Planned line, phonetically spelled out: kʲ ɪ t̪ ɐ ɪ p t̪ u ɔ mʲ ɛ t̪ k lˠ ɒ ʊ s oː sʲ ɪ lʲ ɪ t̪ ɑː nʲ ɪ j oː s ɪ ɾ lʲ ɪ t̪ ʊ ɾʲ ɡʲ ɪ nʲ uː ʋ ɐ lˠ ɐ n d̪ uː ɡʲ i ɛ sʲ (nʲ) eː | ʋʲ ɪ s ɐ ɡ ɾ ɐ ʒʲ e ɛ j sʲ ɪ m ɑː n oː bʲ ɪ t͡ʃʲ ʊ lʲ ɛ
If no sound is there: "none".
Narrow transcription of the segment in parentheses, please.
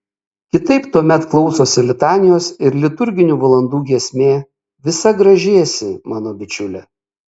mʲ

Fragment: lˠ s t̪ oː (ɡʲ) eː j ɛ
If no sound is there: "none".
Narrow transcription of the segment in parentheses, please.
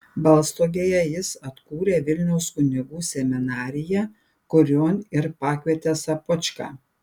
ɡʲ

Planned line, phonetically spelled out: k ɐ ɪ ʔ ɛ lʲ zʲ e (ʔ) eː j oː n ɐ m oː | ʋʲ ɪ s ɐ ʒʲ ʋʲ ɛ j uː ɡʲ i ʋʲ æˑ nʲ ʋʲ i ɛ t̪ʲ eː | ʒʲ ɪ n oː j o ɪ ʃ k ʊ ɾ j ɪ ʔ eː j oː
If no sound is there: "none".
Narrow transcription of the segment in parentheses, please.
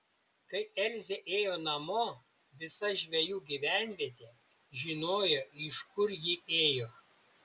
ʔ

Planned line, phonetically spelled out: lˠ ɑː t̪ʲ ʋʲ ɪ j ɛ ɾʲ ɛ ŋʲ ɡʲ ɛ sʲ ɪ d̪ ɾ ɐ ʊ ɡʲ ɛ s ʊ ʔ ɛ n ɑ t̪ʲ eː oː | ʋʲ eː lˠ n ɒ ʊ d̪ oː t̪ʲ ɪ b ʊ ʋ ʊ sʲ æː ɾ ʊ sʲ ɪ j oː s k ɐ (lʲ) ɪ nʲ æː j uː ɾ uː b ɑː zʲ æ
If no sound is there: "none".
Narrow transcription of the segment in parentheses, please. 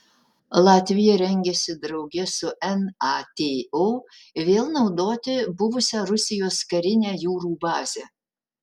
ɾʲ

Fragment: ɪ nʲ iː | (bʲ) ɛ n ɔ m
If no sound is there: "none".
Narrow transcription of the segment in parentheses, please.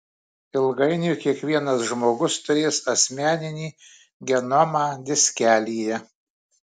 ɡʲ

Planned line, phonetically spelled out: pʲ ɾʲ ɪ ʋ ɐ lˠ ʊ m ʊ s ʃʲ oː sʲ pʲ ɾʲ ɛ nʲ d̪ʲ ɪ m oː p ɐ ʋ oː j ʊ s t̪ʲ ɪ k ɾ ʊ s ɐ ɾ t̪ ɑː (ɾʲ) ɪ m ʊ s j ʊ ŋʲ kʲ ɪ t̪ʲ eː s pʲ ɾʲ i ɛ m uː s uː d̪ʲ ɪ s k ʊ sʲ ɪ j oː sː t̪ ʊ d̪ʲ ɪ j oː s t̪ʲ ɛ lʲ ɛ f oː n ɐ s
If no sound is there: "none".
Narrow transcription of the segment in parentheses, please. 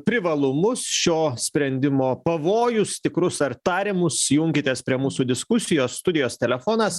ɾʲ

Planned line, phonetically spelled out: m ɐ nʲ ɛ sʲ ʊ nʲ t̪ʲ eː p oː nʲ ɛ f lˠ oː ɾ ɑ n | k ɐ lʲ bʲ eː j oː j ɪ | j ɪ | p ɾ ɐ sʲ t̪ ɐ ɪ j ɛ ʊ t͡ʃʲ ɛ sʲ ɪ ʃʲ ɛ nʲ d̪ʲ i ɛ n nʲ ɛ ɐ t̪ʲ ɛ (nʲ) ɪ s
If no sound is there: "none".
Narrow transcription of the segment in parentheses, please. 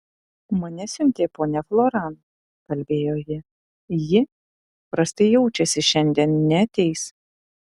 none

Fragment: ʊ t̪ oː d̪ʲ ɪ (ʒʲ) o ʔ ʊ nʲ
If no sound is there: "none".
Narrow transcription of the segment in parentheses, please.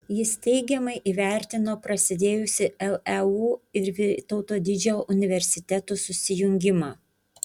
d͡ʒʲ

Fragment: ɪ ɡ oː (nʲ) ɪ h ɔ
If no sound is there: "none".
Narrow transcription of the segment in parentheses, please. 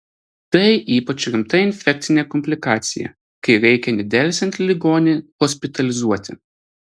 nʲ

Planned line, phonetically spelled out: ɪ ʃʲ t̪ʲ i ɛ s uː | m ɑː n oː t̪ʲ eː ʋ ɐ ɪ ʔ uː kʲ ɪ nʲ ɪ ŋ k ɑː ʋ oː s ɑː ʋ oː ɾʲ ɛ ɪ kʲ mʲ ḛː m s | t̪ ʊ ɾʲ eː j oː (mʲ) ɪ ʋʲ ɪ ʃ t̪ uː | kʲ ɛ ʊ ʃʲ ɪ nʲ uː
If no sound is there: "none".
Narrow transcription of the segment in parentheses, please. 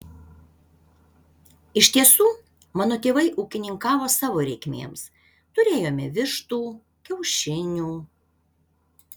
mʲ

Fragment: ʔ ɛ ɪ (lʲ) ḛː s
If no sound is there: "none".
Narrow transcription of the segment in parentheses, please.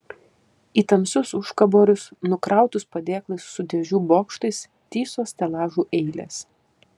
lʲ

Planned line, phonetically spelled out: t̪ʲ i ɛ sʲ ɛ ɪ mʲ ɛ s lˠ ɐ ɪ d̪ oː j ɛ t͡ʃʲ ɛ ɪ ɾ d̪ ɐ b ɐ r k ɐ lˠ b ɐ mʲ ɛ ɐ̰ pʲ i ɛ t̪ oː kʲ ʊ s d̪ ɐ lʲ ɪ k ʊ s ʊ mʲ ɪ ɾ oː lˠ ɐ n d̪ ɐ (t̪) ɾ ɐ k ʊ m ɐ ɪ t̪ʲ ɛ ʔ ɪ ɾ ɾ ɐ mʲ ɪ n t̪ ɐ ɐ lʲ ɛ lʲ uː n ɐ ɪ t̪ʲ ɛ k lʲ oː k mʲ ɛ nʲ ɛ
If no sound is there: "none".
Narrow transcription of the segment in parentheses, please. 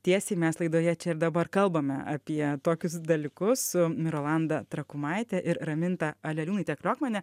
t̪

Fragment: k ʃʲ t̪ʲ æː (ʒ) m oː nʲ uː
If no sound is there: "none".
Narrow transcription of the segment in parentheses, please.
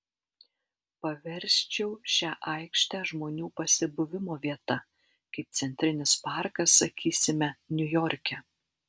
ʒ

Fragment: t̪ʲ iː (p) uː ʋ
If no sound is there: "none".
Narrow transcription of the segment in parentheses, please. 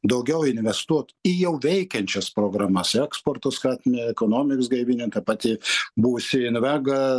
b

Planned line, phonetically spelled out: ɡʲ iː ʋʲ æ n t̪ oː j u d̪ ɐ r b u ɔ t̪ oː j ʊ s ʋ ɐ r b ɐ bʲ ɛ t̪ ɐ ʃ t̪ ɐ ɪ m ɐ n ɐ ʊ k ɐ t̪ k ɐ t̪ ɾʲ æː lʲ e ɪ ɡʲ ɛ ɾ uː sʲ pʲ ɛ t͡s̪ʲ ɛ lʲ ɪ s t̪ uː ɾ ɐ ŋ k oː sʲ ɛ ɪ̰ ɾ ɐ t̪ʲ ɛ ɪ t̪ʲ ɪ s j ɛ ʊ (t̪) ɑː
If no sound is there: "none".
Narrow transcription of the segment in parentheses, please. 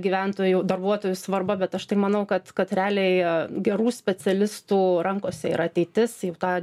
t̪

